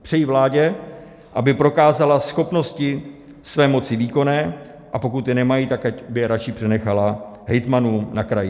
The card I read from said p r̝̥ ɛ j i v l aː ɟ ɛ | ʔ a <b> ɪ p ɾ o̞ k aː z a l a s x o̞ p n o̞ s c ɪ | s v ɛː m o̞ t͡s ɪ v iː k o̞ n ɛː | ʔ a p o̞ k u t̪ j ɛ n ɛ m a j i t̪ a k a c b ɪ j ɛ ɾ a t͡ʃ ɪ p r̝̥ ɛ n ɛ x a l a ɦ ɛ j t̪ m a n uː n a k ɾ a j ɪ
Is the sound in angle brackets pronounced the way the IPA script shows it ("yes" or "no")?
yes